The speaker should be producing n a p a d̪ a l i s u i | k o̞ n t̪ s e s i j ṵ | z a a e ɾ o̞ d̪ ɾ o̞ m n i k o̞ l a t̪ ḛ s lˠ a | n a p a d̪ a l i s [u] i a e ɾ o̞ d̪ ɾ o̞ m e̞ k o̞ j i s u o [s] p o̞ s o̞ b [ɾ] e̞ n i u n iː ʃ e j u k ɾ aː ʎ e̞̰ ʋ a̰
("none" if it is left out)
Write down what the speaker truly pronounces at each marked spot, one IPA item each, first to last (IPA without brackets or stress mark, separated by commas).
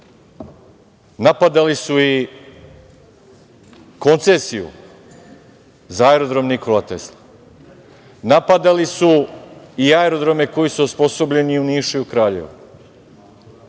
u, s, ʎ